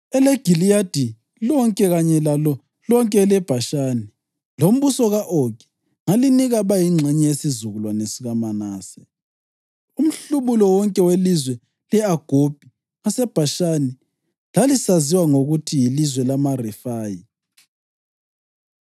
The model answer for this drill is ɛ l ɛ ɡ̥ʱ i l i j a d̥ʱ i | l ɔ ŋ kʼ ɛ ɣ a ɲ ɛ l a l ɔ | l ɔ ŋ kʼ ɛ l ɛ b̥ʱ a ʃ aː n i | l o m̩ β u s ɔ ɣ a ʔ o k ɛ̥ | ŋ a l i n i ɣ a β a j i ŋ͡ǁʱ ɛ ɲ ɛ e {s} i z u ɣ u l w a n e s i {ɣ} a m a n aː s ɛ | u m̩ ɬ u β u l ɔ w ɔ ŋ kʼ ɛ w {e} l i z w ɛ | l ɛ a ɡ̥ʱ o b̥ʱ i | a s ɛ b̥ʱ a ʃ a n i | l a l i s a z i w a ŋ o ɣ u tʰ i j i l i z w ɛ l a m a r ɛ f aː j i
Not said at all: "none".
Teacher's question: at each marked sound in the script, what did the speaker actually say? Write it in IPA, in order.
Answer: s, ɣ, e

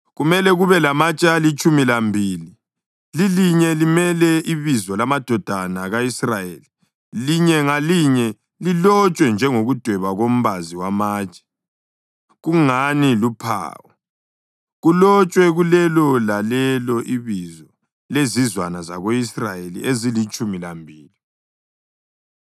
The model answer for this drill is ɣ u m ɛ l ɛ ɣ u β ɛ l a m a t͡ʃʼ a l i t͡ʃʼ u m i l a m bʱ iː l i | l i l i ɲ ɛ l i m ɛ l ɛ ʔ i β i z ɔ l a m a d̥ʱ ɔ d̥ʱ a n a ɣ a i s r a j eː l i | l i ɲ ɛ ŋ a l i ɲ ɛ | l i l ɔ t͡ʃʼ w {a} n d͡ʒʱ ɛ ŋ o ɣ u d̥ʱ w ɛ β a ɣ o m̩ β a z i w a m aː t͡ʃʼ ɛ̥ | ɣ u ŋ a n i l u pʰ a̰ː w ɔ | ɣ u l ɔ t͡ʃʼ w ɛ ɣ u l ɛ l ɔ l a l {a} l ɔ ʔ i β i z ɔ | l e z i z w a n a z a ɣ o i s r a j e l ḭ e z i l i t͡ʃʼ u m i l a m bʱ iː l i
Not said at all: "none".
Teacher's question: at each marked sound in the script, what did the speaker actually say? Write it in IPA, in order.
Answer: ɛ, ɛ

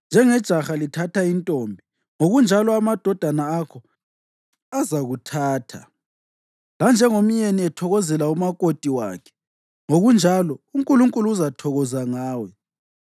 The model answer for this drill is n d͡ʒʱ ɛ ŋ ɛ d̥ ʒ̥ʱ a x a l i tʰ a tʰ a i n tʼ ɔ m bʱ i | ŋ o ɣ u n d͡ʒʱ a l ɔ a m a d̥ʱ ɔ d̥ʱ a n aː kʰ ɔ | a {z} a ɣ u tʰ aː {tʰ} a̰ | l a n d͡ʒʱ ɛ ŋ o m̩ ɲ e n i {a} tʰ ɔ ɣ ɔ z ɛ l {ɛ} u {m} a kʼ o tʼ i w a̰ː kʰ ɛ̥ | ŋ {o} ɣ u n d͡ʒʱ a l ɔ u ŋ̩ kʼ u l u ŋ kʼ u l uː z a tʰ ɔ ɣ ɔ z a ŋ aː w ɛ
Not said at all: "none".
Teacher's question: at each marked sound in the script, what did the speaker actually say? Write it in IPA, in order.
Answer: z, tʰ, ɛ, a, m, o

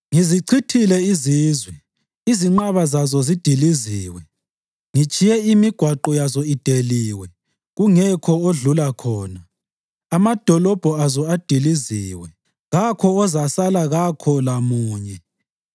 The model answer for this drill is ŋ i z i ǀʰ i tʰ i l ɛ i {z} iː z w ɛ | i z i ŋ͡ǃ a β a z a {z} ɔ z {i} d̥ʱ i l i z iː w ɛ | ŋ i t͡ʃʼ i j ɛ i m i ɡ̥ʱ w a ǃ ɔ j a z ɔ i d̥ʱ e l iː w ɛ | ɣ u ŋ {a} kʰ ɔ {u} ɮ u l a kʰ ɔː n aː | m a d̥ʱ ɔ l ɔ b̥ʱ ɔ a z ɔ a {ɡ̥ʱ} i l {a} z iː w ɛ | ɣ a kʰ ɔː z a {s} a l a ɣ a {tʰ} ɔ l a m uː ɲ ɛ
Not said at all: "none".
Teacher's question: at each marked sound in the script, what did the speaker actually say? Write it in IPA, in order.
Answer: z, z, i, ɛ, o, d̥ʱ, i, s, kʰ

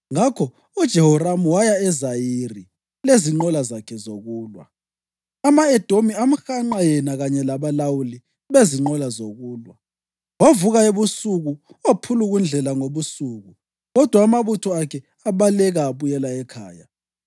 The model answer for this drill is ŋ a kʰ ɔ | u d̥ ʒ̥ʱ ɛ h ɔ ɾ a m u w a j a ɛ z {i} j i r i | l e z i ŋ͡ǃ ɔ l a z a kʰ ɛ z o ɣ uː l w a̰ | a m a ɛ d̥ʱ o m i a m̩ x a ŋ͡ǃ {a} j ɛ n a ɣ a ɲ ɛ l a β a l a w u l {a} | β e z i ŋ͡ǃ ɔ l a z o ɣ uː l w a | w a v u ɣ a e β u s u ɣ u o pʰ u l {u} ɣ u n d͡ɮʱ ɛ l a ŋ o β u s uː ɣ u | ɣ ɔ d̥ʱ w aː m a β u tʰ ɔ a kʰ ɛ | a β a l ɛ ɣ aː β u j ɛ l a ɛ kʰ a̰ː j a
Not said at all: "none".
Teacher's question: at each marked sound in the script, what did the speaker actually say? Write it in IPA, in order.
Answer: a, a, i, u

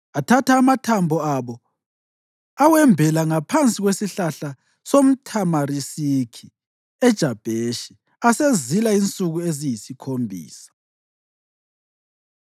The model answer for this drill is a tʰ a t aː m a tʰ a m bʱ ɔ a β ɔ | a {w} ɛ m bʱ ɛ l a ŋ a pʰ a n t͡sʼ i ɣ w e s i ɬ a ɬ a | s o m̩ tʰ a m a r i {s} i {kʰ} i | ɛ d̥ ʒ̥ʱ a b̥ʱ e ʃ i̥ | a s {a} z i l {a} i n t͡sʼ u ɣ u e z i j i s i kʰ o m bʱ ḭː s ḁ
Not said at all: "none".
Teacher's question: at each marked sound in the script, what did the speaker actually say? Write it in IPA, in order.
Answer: w, s, kʰ, e, a

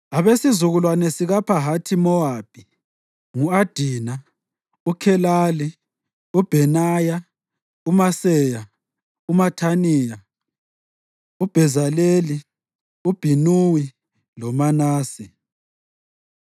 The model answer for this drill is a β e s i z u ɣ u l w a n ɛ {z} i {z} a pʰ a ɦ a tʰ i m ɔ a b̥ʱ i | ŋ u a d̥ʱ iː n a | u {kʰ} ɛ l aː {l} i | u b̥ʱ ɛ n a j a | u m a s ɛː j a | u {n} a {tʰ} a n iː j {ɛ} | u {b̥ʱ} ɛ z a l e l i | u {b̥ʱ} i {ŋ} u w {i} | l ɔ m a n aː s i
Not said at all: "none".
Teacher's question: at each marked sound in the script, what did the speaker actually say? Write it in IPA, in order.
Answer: s, ɣ, kʰ, l, m, tʰ, a, b̥ʱ, b̥ʱ, n, i

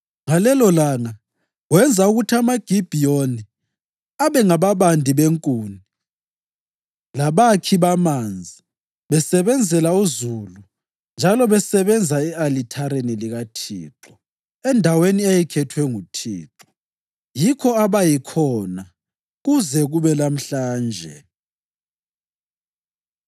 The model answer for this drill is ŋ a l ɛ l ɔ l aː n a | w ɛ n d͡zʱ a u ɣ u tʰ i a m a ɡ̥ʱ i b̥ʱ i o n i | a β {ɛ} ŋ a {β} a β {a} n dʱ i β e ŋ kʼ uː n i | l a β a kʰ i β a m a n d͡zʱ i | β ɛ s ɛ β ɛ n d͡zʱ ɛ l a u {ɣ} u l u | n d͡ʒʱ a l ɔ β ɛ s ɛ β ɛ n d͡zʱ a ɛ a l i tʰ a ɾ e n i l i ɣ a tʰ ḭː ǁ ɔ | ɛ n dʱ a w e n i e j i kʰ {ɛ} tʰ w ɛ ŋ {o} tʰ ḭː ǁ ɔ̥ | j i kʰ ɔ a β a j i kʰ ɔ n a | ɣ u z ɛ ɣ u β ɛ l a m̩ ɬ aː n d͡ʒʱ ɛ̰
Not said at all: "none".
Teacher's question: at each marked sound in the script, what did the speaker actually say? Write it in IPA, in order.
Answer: ɛ, β, a, z, ɛ, u

